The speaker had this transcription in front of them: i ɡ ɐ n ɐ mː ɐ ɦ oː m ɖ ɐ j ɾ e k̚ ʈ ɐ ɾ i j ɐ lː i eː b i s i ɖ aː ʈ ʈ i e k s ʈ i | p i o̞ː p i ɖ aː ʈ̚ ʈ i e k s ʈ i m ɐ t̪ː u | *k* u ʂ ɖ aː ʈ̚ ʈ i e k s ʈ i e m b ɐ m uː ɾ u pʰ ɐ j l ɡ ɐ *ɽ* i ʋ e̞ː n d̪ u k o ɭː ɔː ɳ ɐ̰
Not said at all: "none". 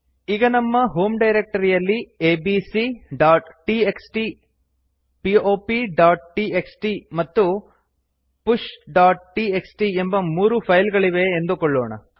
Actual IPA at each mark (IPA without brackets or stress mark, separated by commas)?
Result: p, ɭ